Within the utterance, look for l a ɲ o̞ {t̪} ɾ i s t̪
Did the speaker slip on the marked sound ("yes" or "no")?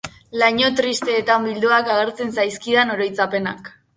no